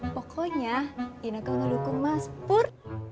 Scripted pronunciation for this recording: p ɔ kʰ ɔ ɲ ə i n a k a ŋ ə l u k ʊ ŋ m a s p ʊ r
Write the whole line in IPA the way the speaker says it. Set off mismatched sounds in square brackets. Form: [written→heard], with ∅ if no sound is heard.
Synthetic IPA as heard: p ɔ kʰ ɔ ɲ [ə→a] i n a k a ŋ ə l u k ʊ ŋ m a s p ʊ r

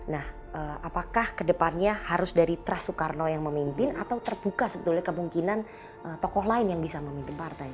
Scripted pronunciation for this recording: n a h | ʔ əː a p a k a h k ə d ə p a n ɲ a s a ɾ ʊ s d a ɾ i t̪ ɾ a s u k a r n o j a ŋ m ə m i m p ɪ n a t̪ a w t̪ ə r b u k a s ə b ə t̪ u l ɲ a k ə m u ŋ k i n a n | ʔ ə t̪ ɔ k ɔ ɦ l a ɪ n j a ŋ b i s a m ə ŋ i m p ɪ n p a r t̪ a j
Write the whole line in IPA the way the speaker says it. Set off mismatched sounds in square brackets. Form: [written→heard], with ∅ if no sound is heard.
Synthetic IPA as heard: n a h | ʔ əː a p a k a h k ə d ə p a n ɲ a [s→h] a ɾ ʊ s d a ɾ i t̪ ɾ a s u k a r n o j a ŋ m ə m i m p ɪ n a t̪ a w t̪ ə r b u k a s ə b ə t̪ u l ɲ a k ə m u ŋ k i n a n | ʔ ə t̪ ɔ k ɔ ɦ l a ɪ n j a ŋ b i s a m ə [ŋ→m] i m p ɪ n p a r t̪ a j

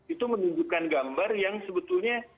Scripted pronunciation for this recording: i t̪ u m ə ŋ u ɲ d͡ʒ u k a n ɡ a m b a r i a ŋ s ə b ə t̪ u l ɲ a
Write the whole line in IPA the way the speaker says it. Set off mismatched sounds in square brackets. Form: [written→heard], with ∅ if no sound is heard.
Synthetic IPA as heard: i t̪ u m ə [ŋ→n] u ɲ d͡ʒ u k a n ɡ a m b a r [i→j] a ŋ s ə b ə t̪ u l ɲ a

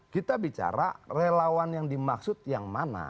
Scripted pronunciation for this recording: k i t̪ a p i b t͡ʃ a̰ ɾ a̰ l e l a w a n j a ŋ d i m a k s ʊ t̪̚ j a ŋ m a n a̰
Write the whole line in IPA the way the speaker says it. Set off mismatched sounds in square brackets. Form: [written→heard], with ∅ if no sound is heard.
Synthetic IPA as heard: k i t̪ a [p→b] i [b→∅] t͡ʃ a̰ ɾ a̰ [l→r] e l a w a n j a ŋ d i m a k s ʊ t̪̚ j a ŋ m a n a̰

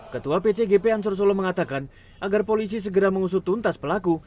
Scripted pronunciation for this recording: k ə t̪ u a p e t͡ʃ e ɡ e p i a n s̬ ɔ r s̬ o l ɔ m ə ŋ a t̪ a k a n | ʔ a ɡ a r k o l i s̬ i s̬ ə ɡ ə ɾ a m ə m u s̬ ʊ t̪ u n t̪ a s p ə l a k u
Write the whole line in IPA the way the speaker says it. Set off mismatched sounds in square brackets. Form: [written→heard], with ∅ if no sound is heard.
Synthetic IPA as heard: k ə t̪ u a p e t͡ʃ e ɡ e p [i→e] a n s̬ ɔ r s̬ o l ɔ m ə ŋ a t̪ a k a n | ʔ a ɡ a r [k→p] o l i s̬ i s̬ ə ɡ ə ɾ a m ə [m→ŋ] u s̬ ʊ t̪ u n t̪ a s p ə l a k u

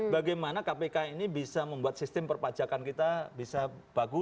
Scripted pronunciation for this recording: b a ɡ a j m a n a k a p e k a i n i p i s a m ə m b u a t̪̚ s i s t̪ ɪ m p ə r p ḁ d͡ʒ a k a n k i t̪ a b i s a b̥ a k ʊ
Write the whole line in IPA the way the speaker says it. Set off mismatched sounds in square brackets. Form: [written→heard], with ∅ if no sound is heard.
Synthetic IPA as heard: b a ɡ a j m a n a k a p e k a i n i [p→b] i s a m ə m b u a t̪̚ s i s t̪ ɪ m p ə r p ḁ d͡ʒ a k a n k i t̪ a b i s a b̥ a [k→ɡ] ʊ

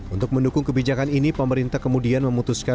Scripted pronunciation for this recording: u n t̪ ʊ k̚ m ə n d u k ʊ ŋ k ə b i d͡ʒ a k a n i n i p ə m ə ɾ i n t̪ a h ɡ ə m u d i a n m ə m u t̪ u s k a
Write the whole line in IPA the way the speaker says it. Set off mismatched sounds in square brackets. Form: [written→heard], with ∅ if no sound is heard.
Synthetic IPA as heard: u n t̪ ʊ k̚ m ə n d u k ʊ ŋ k ə b i d͡ʒ a k a n i n i p ə m ə ɾ i n t̪ a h [ɡ→k] ə m u d i a n m ə m u t̪ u s k a

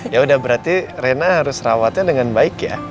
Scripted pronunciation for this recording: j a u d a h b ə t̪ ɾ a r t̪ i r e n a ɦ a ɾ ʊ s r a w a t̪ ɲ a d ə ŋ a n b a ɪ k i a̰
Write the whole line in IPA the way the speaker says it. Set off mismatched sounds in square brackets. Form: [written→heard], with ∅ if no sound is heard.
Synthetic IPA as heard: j a u d a h b ə [t̪→∅] ɾ a r t̪ i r e n a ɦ a ɾ ʊ s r a w a t̪ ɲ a d ə ŋ a n b a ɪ k [i→j] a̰

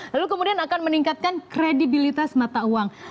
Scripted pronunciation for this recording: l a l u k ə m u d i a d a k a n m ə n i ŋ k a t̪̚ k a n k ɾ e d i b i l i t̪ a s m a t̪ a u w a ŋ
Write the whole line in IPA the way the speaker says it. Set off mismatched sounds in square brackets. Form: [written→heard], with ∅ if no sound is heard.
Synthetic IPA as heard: l a l u k ə m u d i a [d→n] a k a n m ə n i ŋ k a t̪̚ k a n k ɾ e d i b i l i t̪ a s m a t̪ a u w a ŋ

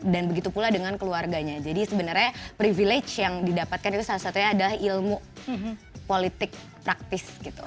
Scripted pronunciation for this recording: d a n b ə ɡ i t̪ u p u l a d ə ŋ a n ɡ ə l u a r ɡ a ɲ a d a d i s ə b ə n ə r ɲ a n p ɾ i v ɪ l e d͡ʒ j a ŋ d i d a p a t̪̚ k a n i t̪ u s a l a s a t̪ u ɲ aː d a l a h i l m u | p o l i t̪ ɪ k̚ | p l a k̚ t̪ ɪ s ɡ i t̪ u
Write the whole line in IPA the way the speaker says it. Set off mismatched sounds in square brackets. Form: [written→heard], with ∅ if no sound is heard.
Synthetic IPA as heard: d a n b ə ɡ i t̪ u p u l a d ə ŋ a n [ɡ→k] ə l u a r ɡ a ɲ a [d→d͡ʒ] a d i s ə b ə n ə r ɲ a [n→∅] p ɾ i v [ɪ→i] l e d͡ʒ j a ŋ d i d a p a t̪̚ k a n i t̪ u s a l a s a t̪ u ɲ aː d a l a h i l m u | p o l i t̪ ɪ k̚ | p [l→ɾ] a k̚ t̪ ɪ s ɡ i t̪ u

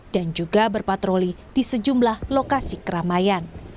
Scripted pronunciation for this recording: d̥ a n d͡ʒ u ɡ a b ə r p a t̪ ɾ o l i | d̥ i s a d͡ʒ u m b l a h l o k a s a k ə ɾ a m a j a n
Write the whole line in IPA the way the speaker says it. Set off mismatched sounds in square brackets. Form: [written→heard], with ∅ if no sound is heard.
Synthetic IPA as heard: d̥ a n d͡ʒ u ɡ a b ə r p a t̪ ɾ o l i | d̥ i s [a→ə] d͡ʒ u m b l a h l o k a s [a→i] k ə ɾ a m a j a n

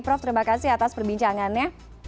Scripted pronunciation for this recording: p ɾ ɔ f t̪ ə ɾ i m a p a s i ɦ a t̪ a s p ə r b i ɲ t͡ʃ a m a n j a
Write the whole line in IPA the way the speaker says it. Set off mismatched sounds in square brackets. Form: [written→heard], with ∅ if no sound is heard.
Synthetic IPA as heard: p ɾ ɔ f t̪ ə ɾ i m a [p→k] a s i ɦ a t̪ a s p ə r b i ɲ t͡ʃ a [m→ŋ] a n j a

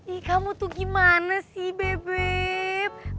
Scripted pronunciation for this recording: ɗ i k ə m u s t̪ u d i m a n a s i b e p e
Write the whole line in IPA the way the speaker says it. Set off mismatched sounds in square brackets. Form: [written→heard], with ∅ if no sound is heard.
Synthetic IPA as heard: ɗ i k [ə→a] m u [s→∅] t̪ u [d→ɡ] i m a n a s i b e [p→b] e

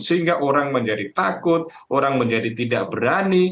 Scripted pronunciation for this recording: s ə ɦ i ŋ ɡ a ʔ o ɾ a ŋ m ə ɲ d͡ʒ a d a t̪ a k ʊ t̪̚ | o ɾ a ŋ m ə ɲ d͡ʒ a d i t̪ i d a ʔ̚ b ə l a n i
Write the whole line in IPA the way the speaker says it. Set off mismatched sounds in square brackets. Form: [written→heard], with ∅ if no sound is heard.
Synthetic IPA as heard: s ə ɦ i ŋ ɡ a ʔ o ɾ a ŋ m ə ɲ d͡ʒ a d [a→i] t̪ a k ʊ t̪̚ | o ɾ a ŋ m ə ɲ d͡ʒ a d i t̪ i d a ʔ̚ b ə [l→ɾ] a n i

